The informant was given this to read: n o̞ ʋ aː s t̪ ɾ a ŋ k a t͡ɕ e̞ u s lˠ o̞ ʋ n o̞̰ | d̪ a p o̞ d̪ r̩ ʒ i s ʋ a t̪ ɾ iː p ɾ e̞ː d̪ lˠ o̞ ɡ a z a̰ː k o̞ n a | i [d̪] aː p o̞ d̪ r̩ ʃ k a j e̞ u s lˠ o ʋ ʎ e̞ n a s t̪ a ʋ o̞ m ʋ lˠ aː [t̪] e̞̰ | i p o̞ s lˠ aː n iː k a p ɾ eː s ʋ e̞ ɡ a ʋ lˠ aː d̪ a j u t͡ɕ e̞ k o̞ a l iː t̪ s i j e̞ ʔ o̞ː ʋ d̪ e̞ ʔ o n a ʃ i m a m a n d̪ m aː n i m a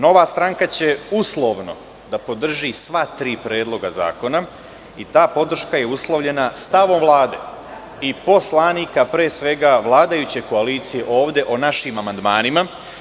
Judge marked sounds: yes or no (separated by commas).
no, no